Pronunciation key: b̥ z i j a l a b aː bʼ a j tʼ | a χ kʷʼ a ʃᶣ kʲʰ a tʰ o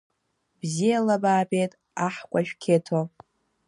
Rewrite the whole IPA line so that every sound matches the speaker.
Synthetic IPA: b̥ z i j a l a b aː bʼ e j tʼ | a ħ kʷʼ a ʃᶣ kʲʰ e tʰ o